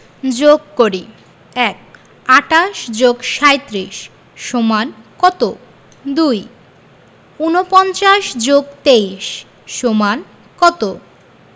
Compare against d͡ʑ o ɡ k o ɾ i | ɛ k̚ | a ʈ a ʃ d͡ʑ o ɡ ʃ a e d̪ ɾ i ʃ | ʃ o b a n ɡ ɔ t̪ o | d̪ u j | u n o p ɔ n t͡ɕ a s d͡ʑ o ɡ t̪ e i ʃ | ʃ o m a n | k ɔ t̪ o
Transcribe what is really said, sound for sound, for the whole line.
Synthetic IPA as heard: d͡ʑ o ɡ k o ɾ i | ɛ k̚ | a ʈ a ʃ d͡ʑ o ɡ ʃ a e t̪ ɾ i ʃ | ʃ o m a n k ɔ t̪ o | d̪ u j | u n o p ɔ n t͡ɕ a ʃ d͡ʑ o ɡ t̪ e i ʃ | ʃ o m a n | k ɔ t̪ o

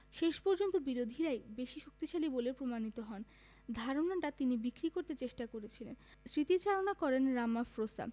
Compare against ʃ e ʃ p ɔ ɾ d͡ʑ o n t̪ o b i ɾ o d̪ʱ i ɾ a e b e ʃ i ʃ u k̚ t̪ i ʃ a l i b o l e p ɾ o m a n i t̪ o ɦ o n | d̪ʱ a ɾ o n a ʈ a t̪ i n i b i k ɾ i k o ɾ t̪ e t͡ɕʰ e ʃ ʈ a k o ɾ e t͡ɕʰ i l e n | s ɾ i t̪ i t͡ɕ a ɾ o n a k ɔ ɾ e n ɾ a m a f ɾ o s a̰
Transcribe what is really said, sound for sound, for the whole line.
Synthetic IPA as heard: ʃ e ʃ p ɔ ɾ d͡ʑ o n t̪ o b i ɾ o d̪ʱ i ɾ a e b e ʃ i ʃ u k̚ t̪ i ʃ a l i b o l e p ɾ o m a n i t̪ o ɦ ɔ n | d̪ʱ a ɾ o n a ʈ a t̪ i n i b i k ɾ i k o ɾ t̪ e t͡ɕ e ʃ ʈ a k o ɾ e t͡ɕʰ i l e n | s ɾ i t̪ i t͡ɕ a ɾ o n a k ɔ ɾ e n ɾ a m a f ɾ o s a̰

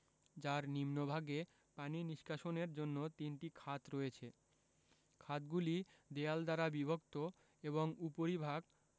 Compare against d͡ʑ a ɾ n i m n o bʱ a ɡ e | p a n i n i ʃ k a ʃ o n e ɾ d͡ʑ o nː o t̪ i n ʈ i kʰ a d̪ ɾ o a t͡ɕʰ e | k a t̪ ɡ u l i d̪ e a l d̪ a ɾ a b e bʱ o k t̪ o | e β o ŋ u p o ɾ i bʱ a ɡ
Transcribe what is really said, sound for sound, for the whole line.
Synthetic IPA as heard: d͡ʑ a ɾ n i m n o bʱ a ɡ e | p a n i n i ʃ k a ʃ o n e ɾ d͡ʑ o nː o t̪ i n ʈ i kʰ a t̪ ɾ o e t͡ɕʰ e | kʰ a t̪ ɡ u l i d̪ e a l d̪ a ɾ a b i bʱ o k t̪ o | e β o ŋ u p o ɾ i bʱ a ɡ

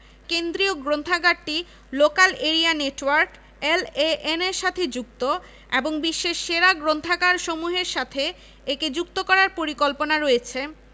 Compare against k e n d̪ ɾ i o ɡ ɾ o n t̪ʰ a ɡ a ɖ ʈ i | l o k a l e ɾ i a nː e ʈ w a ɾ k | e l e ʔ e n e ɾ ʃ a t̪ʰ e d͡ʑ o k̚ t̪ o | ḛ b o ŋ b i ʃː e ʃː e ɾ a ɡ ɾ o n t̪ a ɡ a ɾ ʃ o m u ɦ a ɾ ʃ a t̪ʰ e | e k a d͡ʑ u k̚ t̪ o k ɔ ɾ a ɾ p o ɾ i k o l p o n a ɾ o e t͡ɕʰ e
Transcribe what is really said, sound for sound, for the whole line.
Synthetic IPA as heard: k e n d̪ ɾ i o ɡ ɾ o n t̪ʰ a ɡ a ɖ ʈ i | l o k a l e ɾ i a n e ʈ w a ɾ k | e l e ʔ e n e ɾ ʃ a t̪ʰ e d͡ʑ u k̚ t̪ o | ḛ b o ŋ b i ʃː e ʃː e ɾ a ɡ ɾ o n t̪ʰ a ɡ a ɾ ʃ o m u ɦ e ɾ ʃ a t̪ʰ e | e k e d͡ʑ u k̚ t̪ o k ɔ ɾ a ɾ p o ɾ i k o l p o n a ɾ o e t͡ɕʰ e

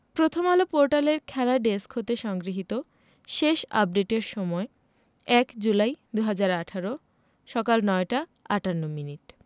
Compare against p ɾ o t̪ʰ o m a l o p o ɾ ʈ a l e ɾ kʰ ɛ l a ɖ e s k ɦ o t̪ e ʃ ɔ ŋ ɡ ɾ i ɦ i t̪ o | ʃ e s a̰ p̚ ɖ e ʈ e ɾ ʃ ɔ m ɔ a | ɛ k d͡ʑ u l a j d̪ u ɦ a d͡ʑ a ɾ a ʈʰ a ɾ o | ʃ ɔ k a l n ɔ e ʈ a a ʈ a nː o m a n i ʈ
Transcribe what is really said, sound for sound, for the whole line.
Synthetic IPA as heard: p ɾ o t̪ʰ o m a l o p o ɾ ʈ a l e ɾ kʰ ɛ l a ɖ e s k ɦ o t̪ e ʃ ɔ ŋ ɡ ɾ i ɦ i t̪ o | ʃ e ʃ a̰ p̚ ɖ e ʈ e ɾ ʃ ɔ m ɔ e | ɛ k d͡ʑ u l a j d̪ u ɦ a d͡ʑ a ɾ a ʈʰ a ɾ o | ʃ ɔ k a l n ɔ e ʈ a a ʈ a nː o m i n i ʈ

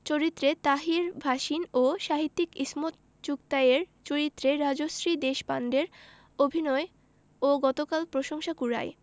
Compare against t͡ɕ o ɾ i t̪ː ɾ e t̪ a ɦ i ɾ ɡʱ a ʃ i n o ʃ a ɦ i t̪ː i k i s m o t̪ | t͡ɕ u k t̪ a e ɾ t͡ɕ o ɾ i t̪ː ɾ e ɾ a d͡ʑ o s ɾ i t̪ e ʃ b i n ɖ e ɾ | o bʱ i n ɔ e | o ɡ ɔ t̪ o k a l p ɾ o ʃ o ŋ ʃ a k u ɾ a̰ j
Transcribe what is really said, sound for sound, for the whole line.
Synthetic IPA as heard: t͡ɕ o ɾ i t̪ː ɾ e t̪ a ɦ i ɾ bʱ a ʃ i n o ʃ a ɦ i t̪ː i k i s m o t̪ | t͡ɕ u k t̪ a e ɾ t͡ɕ o ɾ i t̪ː ɾ e ɾ a d͡ʑ o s ɾ i d̪ e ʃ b a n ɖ e ɾ | o bʱ i n ɔ e | o ɡ ɔ t̪ o k a l p ɾ o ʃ o ŋ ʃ a k u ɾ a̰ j

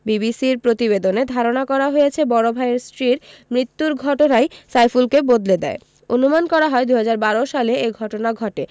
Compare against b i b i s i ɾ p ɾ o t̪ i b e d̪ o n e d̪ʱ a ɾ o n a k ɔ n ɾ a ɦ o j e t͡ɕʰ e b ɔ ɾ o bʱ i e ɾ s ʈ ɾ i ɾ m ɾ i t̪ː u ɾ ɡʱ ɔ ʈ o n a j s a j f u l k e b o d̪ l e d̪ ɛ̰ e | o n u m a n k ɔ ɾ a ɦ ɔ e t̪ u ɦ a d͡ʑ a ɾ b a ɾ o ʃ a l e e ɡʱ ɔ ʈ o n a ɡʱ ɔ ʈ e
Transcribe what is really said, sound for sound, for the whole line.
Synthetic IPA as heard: b i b i s i ɾ p ɾ o t̪ i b e d̪ o n e d̪ʱ a ɾ o n a k ɔ ɾ a ɦ o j e t͡ɕʰ e b ɔ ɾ o bʱ a e ɾ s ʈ ɾ i ɾ m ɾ i t̪ː u ɾ ɡʱ ɔ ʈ o n a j s a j f u l k e b o d̪ l e d̪ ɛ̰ e | o n u m a n k ɔ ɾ a ɦ ɔ e d̪ u ɦ a d͡ʑ a ɾ b a ɾ o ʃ a l e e ɡʱ ɔ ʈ o n a ɡʱ ɔ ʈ e

